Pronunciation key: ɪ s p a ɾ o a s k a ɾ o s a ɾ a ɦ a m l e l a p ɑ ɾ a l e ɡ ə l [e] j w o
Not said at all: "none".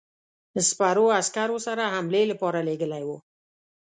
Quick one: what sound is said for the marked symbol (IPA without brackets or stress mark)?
a